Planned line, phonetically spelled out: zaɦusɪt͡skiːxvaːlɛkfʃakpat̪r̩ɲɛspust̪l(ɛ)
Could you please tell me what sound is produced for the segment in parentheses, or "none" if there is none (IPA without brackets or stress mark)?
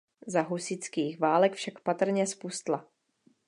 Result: a